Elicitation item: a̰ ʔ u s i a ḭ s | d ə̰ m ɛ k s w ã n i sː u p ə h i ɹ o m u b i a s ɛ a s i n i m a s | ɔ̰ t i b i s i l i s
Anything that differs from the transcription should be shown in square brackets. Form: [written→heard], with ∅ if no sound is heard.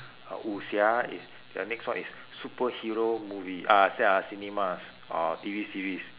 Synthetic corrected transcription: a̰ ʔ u s i a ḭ s | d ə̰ [m→n] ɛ k s w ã n i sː u p ə h i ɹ o m u [b→v] i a s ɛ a s i n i m a s | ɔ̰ t i [b→v] i s i [l→ɹ] i s